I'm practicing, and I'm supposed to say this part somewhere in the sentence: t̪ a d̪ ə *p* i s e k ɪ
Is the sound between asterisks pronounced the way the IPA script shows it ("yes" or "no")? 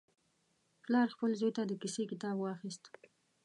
no